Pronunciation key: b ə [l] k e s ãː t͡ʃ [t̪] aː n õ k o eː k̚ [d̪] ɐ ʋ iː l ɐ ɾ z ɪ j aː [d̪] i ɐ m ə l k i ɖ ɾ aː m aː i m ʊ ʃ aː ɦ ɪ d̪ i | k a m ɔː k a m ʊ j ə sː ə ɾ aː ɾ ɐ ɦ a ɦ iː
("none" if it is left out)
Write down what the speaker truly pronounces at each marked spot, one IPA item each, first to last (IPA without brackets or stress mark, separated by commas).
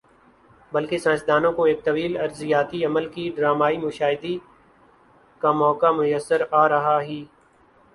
l, d̪, t̪, t̪